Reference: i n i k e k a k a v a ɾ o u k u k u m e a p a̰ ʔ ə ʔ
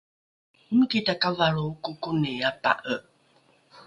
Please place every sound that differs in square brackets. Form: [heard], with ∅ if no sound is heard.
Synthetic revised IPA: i [m] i k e [t] a k a v a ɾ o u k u k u [n] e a p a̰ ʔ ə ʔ